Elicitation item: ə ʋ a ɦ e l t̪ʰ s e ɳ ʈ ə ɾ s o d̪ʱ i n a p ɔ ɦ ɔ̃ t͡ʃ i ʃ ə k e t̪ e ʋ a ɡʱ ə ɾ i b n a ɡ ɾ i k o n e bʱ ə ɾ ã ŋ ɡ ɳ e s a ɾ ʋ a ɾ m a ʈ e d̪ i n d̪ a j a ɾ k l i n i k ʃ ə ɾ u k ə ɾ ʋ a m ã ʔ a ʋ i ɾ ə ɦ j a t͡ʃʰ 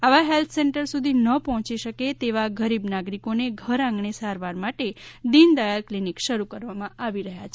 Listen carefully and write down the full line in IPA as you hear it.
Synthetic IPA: a ʋ a ɦ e l t̪ʰ s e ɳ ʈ ə ɾ s u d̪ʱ i n ə p ɔ ɦ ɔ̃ t͡ʃ i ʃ ə k e t̪ e ʋ a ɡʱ ə ɾ i b n a ɡ ɾ i k o n e ɡʱ ə ɾ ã ŋ ɡ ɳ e s a ɾ ʋ a ɾ m a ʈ e d̪ i n d̪ a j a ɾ k l i n i k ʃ ə ɾ u k ə ɾ ʋ a m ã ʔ a ʋ i ɾ ə ɦ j a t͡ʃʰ